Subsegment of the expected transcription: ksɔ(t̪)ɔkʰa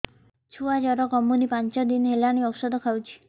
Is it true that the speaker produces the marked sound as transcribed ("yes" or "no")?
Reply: no